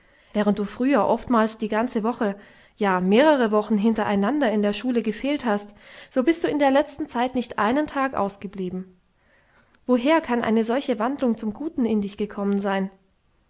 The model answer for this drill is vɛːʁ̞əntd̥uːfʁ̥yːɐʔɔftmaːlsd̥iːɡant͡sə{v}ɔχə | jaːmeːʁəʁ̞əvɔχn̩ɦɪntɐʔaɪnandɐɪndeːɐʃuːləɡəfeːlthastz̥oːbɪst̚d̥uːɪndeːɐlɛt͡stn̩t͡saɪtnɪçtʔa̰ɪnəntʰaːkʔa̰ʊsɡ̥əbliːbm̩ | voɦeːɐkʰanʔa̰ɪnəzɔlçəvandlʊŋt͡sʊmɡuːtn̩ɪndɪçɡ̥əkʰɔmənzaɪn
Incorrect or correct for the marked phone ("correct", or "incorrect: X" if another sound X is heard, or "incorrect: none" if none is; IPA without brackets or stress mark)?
correct